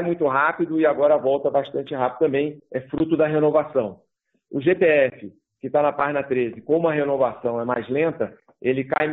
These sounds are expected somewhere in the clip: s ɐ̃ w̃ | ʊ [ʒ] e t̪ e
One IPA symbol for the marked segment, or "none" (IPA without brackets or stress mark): ʒ